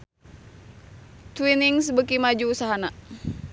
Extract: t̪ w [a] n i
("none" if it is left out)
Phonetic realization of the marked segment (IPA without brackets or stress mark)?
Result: i